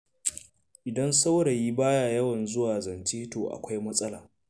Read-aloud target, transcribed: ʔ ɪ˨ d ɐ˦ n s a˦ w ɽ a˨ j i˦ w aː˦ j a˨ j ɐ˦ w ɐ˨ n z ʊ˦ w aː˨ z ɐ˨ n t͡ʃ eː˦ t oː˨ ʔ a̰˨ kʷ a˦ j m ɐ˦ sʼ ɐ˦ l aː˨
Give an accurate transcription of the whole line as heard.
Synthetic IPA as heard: ʔ ɪ˨ d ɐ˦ n s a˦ w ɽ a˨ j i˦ b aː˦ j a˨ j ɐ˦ w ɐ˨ n z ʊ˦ w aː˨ z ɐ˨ n t͡ʃ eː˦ t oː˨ ʔ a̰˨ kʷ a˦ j m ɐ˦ sʼ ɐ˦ l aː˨